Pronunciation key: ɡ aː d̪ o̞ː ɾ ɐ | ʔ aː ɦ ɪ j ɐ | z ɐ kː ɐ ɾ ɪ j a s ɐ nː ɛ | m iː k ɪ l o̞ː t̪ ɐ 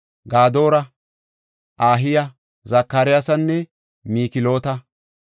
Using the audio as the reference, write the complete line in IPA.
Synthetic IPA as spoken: ɡ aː d̪ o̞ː ɾ ɐ | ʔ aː ɦ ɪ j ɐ | z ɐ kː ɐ ɾ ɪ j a s ɐ nː ɛ | m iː k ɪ l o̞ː t̪ ɐ

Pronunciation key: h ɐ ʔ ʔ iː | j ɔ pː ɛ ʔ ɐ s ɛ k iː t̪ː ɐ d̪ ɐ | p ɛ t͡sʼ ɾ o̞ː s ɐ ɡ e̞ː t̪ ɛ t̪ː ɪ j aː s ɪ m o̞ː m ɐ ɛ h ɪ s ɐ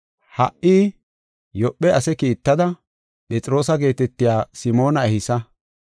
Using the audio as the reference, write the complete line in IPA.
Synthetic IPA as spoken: h ɐ ʔ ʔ iː | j ɔ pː ɛ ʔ ɐ s ɛ k iː t̪ː ɐ d̪ ɐ | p ɛ t͡sʼ ɾ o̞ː s ɐ ɡ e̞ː t̪ ɛ t̪ː ɪ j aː s ɪ m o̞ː n ɐ ɛ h ɪ s ɐ

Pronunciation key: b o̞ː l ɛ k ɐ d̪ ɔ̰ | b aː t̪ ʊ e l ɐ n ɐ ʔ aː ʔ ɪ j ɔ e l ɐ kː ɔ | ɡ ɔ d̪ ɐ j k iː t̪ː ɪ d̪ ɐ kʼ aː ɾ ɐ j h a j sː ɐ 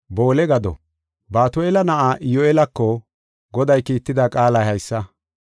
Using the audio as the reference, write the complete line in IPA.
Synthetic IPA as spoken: b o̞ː l ɛ ɡ ɐ d̪ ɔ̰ | b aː t̪ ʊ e l ɐ n ɐ ʔ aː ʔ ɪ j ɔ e l ɐ kː ɔ | ɡ ɔ d̪ ɐ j k iː t̪ː ɪ d̪ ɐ kʼ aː l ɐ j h ɐ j sː ɐ

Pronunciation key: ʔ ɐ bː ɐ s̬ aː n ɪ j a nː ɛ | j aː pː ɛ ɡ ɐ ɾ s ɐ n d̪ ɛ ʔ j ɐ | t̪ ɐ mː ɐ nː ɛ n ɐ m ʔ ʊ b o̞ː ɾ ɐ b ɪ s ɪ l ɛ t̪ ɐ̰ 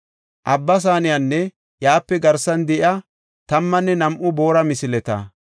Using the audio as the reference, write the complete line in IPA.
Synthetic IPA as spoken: ʔ ɐ bː ɐ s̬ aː n ɪ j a nː ɛ | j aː pː ɛ ɡ ɐ ɾ s ɐ n d̪ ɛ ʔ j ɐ | t̪ ɐ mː ɐ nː ɛ n ɐ m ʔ ʊ b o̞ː ɾ ɐ m ɪ s ɪ l ɛ t̪ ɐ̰

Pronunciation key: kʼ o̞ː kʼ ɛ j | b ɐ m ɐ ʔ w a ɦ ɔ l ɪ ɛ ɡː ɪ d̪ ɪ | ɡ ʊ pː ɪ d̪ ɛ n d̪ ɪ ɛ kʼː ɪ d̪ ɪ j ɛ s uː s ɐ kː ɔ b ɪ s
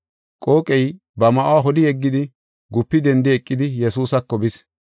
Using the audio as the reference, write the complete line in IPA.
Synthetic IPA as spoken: kʼ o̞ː kʼ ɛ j | b ɐ m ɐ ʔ w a ɦ ɔ l ɪ ɛ ɡː ɪ d̪ ɪ | ɡ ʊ pː ɪ d̪ ɛ n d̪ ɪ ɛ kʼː ɪ d̪ ɪ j ɛ s uː s ɐ kː ɔ b ɪ s

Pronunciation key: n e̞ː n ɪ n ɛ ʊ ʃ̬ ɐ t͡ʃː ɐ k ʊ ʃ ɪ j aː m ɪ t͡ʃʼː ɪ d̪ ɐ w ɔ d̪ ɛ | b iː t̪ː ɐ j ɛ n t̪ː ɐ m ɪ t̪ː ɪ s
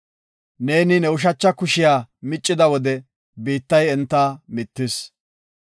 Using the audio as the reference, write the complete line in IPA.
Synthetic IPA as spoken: n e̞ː n ɪ n ɛ ʊ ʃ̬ ɐ t͡ʃː ɐ k ʊ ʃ ɪ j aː m ɪ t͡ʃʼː ɪ d̪ ɐ w ɔ d̪ ɛ | b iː t̪ː ɐ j ɛ n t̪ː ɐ m ɪ t̪ː ɪ s

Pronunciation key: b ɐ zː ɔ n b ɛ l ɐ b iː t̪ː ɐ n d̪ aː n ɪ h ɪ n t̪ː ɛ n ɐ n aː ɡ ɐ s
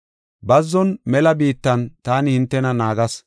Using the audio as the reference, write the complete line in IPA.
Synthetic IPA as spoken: b ɐ zː ɔ n m ɛ l ɐ b iː t̪ː ɐ n t̪ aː n ɪ h ɪ n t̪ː ɛ n ɐ n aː ɡ ɐ s

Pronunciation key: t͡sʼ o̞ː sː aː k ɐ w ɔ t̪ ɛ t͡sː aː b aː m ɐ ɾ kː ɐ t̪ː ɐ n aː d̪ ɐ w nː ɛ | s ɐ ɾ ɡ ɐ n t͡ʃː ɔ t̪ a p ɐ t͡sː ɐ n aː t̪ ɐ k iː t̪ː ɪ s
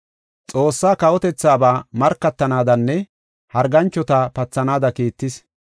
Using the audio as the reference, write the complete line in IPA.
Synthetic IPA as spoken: t͡sʼ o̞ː sː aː k ɐ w ɔ t̪ ɛ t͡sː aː b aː m ɐ ɾ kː ɐ t̪ː ɐ n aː d̪ ɐ nː ɛ | h ɐ ɾ ɡ ɐ n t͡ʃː ɔ t̪ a p ɐ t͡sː ɐ n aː d̪ ɐ k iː t̪ː ɪ s

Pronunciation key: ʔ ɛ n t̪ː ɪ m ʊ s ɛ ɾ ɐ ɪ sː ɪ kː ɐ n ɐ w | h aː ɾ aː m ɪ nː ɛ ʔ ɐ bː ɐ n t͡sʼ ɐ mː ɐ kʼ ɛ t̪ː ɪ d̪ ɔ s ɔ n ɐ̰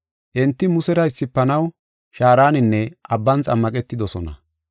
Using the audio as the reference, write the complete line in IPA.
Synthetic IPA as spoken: ʔ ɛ n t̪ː ɪ m ʊ s ɛ ɾ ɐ ɪ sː ɪ pː ɐ n ɐ w | ʃ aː ɾ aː n ɪ nː ɛ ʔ ɐ bː ɐ n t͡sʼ ɐ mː ɐ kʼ ɛ t̪ː ɪ d̪ ɔ s ɔ n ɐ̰

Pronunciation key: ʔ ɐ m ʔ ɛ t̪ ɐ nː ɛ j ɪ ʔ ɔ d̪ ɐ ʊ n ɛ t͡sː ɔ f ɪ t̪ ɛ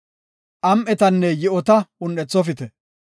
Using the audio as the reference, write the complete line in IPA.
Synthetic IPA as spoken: ʔ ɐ m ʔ ɛ t̪ ɐ nː ɛ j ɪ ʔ ɔ t̪ ɐ ʊ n ɛ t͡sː ɔ f ɪ t̪ ɛ

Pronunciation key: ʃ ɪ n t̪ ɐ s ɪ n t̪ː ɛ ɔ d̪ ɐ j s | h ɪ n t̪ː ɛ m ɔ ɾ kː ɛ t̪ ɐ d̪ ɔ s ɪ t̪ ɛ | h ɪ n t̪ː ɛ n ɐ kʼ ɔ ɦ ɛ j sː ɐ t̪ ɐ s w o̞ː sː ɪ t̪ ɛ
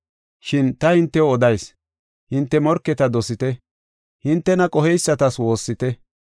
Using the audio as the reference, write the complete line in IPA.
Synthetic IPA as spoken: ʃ ɪ n t̪ ɐ h ɪ n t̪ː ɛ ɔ d̪ ɐ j s | h ɪ n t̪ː ɛ m ɔ ɾ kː ɛ t̪ ɐ d̪ ɔ s ɪ t̪ ɛ | h ɪ n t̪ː ɛ n ɐ kʼ ɔ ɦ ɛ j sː ɐ t̪ ɐ s w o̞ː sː ɪ t̪ ɛ

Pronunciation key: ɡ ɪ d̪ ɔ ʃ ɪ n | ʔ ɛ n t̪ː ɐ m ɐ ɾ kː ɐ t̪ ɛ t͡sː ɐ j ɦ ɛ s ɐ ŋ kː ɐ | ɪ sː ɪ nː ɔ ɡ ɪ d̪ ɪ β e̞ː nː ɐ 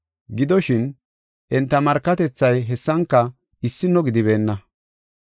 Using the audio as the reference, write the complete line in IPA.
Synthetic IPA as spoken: ɡ ɪ d̪ ɔ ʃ ɪ n | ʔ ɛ n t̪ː ɐ m ɐ ɾ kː ɐ t̪ ɛ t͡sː ɐ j ɦ ɛ sː ɐ ŋ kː ɐ | ɪ sː ɪ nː ɔ ɡ ɪ d̪ ɪ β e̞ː nː ɐ

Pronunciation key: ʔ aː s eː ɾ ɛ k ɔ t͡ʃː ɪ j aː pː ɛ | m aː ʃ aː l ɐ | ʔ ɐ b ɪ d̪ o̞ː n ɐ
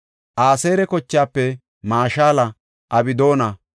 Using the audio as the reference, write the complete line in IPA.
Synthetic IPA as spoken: ʔ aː s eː ɾ ɛ k ɔ t͡ʃː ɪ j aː pː ɛ | m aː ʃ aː l ɐ | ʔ ɐ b ɪ d̪ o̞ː n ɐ

